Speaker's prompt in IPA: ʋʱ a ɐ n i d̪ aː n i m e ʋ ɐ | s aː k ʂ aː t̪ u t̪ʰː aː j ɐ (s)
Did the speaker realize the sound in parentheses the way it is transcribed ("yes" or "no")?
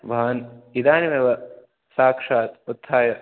no